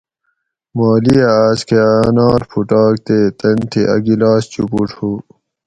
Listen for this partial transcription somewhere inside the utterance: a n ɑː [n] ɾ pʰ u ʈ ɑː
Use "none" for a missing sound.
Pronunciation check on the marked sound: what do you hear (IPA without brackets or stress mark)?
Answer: none